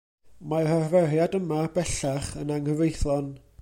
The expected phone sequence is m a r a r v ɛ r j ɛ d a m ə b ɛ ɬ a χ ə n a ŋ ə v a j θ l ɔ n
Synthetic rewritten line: m a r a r v ɛ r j a d ə m a b ɛ ɬ a χ ə n a ŋ ə v e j θ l ɔ n